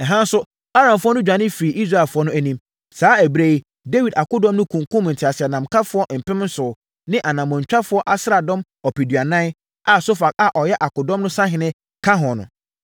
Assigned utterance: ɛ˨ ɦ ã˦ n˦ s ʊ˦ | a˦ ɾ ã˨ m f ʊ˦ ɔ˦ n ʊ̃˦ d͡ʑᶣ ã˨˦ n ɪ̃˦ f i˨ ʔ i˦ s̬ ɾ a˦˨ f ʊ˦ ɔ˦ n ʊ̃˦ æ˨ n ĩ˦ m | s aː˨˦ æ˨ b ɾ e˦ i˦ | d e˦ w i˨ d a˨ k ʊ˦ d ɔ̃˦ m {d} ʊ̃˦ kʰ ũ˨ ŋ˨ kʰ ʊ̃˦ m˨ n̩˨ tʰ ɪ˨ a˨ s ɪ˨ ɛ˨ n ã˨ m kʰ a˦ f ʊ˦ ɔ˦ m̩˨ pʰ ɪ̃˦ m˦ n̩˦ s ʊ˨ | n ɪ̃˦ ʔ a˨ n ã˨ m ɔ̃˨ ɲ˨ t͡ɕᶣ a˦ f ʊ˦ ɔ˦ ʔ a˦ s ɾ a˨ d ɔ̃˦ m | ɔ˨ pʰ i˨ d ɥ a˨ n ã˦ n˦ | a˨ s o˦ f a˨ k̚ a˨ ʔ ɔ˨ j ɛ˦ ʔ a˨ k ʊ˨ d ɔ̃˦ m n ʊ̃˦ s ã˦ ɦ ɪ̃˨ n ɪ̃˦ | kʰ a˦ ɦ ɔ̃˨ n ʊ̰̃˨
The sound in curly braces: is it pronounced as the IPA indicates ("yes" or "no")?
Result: no